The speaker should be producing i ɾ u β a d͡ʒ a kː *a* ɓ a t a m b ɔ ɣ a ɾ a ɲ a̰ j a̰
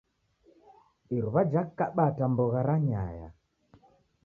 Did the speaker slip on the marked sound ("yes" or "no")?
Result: no